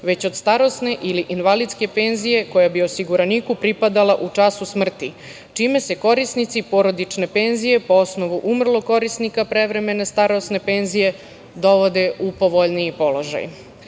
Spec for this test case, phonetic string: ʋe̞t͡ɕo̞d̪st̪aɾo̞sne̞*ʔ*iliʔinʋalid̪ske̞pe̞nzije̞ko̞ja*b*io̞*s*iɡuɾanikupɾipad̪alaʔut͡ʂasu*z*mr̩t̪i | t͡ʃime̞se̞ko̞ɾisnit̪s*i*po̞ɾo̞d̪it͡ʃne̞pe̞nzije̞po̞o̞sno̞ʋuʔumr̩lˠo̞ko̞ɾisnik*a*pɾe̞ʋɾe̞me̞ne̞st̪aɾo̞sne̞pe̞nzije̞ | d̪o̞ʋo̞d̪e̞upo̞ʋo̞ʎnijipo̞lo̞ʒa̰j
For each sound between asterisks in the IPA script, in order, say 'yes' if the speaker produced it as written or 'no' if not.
yes, yes, yes, no, yes, yes

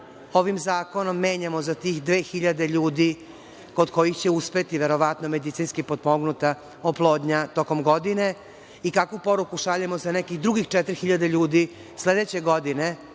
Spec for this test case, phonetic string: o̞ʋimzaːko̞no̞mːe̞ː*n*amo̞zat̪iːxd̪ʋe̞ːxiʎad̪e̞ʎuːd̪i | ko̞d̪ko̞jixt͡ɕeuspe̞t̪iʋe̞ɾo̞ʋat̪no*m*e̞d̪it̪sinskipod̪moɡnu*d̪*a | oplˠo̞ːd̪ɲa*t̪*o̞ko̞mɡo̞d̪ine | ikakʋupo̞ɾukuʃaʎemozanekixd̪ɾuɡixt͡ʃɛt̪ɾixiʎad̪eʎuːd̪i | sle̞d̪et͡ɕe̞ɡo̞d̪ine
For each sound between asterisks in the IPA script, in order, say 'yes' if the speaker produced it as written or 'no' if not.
no, yes, no, yes

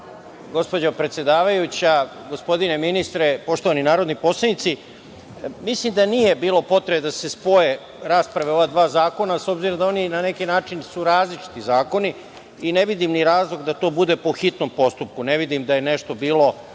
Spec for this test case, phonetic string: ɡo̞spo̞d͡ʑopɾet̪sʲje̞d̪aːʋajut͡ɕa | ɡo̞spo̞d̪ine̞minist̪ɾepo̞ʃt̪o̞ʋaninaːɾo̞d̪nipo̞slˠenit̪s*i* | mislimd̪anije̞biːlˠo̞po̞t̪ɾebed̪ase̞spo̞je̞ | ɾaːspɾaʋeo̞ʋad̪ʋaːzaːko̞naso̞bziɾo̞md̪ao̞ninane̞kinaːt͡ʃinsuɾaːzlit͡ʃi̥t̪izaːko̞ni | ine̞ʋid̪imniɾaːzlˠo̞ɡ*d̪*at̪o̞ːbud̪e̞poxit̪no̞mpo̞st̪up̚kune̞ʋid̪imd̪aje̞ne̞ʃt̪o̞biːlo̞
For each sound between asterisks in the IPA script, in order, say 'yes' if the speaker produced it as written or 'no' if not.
yes, yes

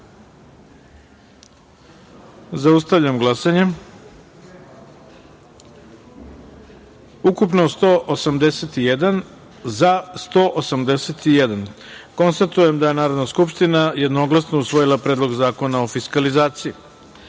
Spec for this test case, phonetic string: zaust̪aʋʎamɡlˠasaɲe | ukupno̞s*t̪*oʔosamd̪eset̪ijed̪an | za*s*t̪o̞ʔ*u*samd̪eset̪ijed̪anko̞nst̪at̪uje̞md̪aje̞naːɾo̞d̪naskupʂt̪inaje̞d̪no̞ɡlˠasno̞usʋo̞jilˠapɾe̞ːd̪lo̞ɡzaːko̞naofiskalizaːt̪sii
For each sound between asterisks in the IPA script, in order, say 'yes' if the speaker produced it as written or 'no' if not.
yes, yes, no

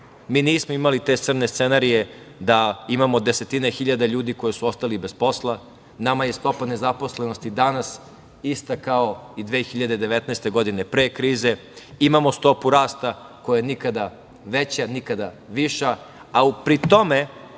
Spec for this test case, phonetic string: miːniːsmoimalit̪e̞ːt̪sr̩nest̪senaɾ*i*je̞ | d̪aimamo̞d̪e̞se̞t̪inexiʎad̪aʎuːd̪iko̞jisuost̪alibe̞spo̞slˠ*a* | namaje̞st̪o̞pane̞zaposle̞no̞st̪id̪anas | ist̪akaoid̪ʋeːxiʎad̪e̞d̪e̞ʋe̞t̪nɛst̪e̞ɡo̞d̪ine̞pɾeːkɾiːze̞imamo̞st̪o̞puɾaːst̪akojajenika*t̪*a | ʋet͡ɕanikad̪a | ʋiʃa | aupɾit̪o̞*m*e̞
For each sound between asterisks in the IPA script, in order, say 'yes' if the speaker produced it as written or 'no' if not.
yes, yes, no, yes

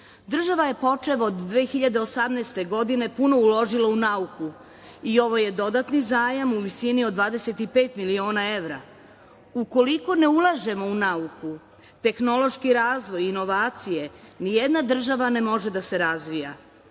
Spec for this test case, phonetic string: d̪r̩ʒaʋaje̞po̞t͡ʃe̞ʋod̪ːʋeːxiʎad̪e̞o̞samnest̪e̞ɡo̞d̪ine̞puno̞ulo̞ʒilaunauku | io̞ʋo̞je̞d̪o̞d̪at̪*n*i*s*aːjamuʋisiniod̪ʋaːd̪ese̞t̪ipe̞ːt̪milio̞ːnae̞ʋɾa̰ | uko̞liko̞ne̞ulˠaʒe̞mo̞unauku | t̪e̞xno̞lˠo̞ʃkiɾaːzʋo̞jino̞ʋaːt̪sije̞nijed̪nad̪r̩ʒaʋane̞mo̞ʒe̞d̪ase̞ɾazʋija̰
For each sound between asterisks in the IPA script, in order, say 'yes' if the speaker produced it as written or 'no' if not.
yes, no

